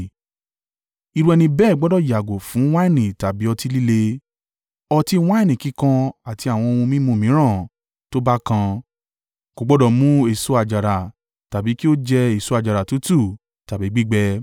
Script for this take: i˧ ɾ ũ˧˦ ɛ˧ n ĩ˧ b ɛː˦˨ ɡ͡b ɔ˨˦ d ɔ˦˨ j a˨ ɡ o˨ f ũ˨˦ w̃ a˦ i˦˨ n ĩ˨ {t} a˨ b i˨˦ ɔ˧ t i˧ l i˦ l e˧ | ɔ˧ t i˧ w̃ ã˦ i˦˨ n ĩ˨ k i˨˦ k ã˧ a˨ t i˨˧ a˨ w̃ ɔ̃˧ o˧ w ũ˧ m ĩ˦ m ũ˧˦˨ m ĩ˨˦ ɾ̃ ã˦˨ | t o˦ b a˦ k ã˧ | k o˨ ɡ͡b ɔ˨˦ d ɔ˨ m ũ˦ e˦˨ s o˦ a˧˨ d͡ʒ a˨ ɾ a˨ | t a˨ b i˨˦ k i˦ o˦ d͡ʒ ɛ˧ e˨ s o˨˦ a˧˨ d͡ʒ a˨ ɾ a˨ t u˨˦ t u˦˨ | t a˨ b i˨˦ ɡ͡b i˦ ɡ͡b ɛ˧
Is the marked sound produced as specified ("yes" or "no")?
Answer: yes